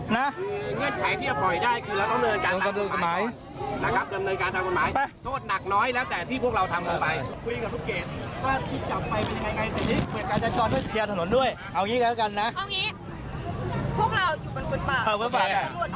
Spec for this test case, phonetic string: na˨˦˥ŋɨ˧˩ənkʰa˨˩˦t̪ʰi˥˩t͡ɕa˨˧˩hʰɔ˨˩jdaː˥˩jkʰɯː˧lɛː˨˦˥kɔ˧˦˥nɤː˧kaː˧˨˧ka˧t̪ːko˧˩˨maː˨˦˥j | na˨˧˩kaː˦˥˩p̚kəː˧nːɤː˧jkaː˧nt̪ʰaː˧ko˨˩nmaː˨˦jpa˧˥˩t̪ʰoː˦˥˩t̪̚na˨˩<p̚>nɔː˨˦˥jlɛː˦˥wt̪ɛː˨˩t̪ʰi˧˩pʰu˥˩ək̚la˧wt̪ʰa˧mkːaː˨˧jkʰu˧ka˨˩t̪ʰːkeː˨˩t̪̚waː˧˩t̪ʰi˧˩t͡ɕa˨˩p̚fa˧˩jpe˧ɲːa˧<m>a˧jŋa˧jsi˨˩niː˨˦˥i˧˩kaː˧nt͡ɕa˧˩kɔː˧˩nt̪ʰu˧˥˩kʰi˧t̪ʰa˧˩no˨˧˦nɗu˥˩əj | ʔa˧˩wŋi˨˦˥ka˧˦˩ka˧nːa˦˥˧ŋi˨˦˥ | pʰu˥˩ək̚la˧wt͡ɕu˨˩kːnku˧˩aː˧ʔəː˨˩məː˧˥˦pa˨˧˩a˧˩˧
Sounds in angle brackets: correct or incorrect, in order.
incorrect: k̚, incorrect: ŋ

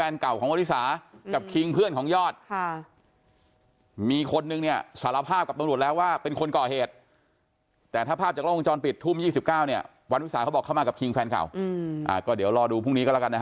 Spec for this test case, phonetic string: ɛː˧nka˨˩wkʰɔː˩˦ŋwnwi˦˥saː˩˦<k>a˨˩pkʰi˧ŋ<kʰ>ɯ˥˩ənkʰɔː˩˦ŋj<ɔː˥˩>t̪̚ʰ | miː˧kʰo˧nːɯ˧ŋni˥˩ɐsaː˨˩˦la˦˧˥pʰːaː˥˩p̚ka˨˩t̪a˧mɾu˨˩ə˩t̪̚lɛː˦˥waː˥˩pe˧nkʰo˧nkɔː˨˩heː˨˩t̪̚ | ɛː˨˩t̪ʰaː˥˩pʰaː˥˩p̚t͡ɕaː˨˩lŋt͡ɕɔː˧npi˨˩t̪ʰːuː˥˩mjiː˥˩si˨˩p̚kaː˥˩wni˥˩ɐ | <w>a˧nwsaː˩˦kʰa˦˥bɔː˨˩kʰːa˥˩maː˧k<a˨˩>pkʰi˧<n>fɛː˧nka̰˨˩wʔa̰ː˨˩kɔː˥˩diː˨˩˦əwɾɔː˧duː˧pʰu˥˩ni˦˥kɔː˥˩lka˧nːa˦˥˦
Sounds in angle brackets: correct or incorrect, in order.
correct, incorrect: pʰ, correct, correct, correct, incorrect: ŋ

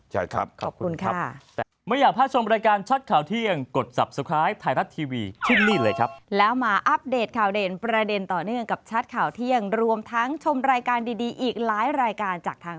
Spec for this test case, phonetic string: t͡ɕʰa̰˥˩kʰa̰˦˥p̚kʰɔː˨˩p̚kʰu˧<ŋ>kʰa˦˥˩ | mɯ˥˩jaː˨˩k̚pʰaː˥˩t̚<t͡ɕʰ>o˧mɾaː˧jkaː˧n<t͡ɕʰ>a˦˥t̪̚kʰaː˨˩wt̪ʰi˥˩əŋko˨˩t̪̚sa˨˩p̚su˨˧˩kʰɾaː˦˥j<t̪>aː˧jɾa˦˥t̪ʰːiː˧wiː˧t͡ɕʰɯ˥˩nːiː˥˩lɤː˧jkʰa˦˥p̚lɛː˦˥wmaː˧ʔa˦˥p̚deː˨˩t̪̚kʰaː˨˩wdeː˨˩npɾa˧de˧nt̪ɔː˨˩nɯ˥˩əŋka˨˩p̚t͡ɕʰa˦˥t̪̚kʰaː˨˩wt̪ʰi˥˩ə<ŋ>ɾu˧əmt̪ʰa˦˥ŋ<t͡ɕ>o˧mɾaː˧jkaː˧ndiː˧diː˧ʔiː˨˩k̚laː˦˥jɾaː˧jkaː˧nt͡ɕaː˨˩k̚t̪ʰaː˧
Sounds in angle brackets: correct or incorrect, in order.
incorrect: n, correct, correct, incorrect: t̪ʰ, correct, incorrect: t͡ɕʰ

